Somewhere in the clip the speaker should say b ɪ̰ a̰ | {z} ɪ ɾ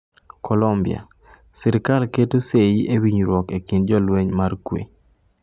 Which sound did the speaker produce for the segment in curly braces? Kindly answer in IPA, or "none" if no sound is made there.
s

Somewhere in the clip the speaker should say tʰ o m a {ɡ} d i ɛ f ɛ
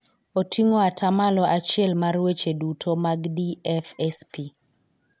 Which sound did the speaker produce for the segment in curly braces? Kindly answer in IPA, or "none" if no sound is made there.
ɡ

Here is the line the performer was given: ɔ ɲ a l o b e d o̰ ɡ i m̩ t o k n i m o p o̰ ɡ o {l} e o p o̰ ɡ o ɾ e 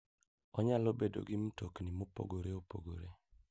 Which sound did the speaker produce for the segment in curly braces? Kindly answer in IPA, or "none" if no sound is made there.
ɾ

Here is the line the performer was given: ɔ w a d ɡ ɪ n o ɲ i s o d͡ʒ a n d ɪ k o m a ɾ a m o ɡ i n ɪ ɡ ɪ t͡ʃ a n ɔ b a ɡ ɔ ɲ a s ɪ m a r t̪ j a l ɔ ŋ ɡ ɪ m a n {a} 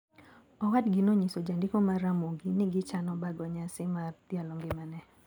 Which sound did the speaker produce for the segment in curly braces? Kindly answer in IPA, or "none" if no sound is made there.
ɛ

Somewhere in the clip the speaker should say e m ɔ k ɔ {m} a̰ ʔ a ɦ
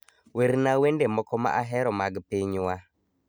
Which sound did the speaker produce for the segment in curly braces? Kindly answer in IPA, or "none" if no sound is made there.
m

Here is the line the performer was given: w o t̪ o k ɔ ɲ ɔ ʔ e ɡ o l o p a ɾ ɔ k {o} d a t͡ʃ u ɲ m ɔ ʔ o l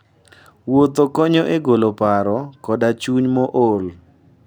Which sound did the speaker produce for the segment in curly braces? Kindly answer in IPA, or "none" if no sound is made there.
ɔ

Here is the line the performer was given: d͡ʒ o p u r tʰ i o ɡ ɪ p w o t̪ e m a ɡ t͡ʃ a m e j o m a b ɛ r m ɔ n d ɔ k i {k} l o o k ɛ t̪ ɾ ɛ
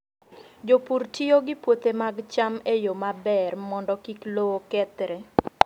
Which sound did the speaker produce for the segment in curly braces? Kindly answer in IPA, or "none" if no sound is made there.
k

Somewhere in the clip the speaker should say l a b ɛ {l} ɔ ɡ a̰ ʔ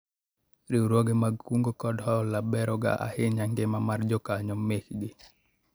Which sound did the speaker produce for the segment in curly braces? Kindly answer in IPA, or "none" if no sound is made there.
ɾ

